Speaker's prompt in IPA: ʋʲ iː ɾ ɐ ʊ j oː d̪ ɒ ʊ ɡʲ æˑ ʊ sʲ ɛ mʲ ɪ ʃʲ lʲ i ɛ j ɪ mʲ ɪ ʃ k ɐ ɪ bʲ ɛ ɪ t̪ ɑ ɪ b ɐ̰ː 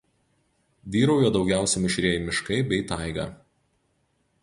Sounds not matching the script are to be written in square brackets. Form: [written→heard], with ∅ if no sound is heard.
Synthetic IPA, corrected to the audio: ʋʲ iː ɾ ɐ ʊ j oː d̪ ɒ ʊ ɡʲ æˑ ʊ sʲ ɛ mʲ ɪ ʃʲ [lʲ→ɾʲ] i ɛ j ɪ mʲ ɪ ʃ k ɐ ɪ bʲ ɛ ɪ t̪ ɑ ɪ [b→ɡ] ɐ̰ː